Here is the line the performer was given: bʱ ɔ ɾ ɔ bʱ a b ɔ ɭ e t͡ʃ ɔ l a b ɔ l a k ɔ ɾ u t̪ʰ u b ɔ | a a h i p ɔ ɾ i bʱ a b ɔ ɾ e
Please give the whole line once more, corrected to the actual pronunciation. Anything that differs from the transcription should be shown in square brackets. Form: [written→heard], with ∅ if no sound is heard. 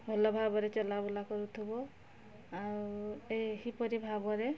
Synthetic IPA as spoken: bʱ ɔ [ɾ→l] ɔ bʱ a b ɔ [ɭ→ɾ] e t͡ʃ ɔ l a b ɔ l a k ɔ ɾ u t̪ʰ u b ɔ | a [a→e] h i p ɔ ɾ i bʱ a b ɔ ɾ e